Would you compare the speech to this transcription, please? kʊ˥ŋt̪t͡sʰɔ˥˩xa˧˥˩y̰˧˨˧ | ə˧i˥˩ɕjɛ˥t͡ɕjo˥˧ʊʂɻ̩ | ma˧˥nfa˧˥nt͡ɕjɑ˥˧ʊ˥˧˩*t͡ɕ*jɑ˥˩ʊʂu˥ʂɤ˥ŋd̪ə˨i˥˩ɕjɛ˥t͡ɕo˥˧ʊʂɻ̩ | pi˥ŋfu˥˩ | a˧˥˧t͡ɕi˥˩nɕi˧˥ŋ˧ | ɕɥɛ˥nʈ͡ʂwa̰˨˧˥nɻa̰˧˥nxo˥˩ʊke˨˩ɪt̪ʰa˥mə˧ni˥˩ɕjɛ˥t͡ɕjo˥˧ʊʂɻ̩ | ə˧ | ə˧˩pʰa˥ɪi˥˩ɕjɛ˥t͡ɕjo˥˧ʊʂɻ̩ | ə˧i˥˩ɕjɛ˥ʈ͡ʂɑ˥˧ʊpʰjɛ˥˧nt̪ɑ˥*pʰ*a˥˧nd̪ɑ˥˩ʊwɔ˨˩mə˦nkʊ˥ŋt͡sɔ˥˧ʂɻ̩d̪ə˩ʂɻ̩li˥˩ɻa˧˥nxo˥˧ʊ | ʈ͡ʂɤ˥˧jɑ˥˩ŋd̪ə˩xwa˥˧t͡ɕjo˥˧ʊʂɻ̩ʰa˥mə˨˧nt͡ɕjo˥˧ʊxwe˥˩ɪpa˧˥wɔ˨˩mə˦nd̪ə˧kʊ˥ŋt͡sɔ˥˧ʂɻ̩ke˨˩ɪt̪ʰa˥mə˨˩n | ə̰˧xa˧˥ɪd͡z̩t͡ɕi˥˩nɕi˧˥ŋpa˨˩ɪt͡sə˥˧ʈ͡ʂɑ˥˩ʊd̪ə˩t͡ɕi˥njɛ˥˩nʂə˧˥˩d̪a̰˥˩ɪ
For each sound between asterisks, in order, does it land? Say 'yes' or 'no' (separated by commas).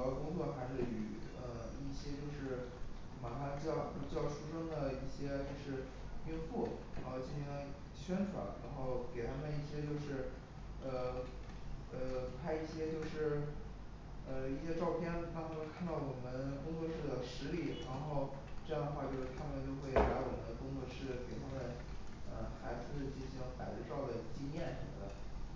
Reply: yes, no